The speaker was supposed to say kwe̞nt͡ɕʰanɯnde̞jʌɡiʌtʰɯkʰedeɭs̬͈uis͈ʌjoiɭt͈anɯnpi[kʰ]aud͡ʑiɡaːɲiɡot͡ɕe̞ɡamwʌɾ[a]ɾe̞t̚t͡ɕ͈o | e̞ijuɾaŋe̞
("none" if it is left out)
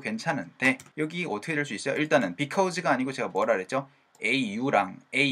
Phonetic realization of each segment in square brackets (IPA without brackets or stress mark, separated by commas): kʰ, a